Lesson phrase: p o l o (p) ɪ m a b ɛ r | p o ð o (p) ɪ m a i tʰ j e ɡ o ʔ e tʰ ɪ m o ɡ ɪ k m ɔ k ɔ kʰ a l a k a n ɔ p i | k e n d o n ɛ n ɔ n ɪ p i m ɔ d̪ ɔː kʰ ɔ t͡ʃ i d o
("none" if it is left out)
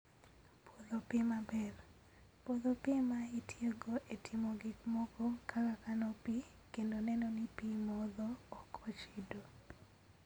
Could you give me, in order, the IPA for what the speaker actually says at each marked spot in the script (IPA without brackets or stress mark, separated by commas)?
p, p